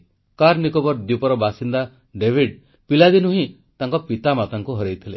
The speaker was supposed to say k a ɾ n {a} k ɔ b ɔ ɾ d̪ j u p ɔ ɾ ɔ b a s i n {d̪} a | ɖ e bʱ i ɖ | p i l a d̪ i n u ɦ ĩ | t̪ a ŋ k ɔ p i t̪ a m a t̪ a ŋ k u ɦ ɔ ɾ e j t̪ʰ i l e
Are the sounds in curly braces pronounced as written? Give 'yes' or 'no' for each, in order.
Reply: no, yes

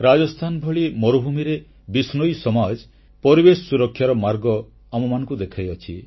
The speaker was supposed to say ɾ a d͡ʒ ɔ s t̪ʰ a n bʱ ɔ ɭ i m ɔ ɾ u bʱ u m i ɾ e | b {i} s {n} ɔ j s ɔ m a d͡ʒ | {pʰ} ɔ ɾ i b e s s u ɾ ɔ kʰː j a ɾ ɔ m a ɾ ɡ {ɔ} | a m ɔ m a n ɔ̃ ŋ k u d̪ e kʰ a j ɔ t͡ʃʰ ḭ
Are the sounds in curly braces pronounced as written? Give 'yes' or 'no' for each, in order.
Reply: yes, yes, no, yes

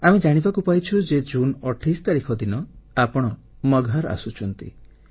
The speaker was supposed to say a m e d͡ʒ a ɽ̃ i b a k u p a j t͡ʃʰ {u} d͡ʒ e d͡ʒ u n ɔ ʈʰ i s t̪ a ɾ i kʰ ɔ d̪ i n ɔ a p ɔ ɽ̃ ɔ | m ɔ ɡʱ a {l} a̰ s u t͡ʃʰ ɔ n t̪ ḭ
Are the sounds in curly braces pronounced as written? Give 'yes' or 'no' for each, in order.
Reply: yes, no

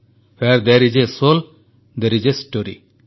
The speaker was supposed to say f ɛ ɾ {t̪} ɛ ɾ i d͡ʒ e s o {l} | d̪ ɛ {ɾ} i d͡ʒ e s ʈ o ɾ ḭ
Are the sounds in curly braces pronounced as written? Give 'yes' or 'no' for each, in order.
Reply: no, yes, yes

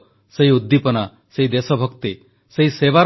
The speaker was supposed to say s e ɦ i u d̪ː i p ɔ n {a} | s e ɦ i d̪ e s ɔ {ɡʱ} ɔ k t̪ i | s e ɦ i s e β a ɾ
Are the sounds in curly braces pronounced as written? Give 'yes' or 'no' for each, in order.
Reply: yes, no

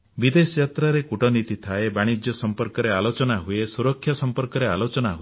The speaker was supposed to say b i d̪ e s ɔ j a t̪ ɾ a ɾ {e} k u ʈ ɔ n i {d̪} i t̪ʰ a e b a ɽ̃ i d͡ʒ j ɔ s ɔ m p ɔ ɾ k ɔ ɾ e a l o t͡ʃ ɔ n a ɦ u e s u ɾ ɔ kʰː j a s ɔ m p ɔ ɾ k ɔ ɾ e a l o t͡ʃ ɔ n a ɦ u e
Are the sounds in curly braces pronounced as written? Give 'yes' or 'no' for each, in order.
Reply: yes, no

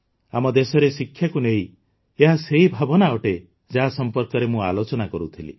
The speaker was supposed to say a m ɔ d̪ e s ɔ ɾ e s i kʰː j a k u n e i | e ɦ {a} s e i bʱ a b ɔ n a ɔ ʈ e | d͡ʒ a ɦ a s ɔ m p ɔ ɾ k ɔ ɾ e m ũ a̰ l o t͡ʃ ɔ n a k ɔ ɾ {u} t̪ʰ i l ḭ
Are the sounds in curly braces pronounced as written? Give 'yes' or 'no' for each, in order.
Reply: yes, yes

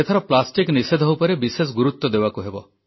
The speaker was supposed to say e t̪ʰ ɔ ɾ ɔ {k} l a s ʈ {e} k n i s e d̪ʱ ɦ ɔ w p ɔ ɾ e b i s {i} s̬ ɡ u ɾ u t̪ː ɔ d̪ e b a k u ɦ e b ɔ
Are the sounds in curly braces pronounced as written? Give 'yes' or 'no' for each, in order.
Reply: no, no, no

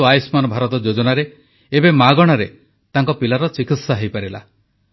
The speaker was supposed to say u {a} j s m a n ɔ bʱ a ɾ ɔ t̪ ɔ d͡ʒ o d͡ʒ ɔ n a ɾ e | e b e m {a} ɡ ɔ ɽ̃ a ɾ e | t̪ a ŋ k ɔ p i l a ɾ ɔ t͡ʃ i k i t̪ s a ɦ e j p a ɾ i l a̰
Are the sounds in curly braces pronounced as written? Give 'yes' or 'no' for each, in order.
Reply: yes, yes

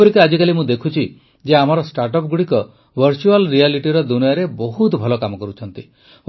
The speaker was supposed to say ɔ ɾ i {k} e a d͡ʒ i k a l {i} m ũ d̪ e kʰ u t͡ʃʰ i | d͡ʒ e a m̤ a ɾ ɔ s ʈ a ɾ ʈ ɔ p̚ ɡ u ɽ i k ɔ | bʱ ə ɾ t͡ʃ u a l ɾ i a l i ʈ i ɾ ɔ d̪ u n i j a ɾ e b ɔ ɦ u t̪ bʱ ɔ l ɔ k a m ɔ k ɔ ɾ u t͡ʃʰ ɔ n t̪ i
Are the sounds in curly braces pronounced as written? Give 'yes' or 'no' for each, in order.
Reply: yes, yes

